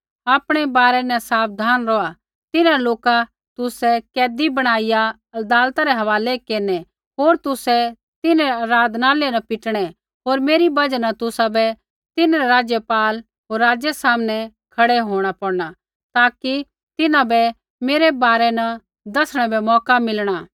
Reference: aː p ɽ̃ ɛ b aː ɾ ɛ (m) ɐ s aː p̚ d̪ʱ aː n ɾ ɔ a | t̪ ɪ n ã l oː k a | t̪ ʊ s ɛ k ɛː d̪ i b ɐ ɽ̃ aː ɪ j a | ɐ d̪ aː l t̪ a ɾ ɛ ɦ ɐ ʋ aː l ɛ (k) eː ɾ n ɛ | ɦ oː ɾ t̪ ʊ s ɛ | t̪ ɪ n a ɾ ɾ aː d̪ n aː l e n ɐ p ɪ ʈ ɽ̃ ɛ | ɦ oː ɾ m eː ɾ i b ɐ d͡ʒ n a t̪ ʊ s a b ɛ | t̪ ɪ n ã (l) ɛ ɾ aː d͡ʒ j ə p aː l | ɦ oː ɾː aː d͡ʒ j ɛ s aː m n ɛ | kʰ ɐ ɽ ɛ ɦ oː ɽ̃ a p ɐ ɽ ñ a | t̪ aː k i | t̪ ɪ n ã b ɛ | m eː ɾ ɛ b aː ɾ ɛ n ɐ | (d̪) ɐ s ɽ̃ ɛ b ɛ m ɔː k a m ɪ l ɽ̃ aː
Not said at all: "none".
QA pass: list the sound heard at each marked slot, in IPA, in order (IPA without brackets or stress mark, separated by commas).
n, k, ɾ, d̪